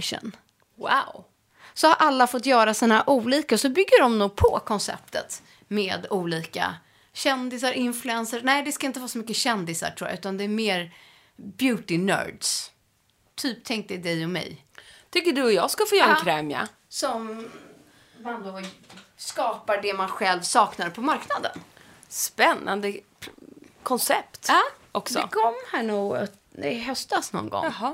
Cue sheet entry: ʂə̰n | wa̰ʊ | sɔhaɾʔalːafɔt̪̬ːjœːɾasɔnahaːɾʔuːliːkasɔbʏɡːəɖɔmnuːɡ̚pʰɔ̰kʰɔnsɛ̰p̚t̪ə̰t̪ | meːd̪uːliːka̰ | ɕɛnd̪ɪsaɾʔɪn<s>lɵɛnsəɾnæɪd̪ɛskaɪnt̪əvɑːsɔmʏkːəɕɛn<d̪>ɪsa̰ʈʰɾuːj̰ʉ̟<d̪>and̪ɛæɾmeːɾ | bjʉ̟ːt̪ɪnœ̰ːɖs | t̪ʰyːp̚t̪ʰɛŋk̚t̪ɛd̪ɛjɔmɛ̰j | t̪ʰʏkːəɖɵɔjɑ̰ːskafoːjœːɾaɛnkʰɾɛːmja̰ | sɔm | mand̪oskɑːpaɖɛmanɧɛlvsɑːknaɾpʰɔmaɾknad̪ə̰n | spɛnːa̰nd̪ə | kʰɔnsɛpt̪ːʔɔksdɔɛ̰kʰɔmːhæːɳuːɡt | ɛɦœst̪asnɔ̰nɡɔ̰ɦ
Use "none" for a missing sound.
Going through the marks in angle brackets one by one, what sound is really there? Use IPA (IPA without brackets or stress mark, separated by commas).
f, d̪, t̪